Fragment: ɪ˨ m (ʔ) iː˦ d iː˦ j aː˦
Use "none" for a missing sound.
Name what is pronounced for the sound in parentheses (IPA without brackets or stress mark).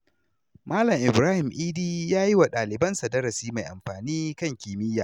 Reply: ʔ